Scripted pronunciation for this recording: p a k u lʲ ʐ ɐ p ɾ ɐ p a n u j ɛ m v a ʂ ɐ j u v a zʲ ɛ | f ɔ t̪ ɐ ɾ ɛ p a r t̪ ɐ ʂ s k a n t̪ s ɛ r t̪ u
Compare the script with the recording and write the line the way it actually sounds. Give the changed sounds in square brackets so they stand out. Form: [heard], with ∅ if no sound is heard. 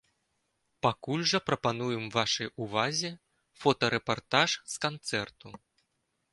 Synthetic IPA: p a k u lʲ ʐ ɐ p ɾ ɐ p a n u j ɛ m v a ʂ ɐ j u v a zʲ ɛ | f ɔ t̪ ɐ ɾ ɛ p a r t̪ [a] ʂ s k a n t̪ s ɛ r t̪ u